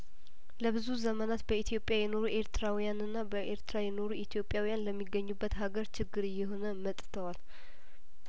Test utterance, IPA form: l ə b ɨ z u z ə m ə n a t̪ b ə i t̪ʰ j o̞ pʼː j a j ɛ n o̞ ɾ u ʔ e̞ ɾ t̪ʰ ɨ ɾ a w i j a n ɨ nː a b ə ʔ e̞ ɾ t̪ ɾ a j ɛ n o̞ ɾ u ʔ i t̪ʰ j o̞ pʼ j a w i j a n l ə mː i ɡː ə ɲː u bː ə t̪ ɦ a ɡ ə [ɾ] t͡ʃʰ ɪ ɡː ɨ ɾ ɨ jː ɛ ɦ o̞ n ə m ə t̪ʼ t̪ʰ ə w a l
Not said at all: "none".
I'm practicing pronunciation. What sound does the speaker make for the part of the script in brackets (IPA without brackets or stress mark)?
ɾ